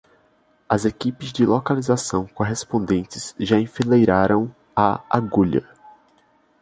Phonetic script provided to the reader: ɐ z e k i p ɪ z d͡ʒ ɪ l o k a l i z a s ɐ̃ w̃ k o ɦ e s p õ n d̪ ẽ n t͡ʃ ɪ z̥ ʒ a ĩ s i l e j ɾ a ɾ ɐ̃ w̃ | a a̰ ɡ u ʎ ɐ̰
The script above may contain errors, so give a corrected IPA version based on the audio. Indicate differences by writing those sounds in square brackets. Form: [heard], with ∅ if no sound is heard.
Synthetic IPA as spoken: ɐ z e k i p ɪ z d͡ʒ ɪ l o k a l i z a s ɐ̃ w̃ k o ɦ e s p õ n d̪ ẽ n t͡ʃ ɪ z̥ ʒ a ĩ [f] i l e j ɾ a ɾ ɐ̃ w̃ | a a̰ ɡ u ʎ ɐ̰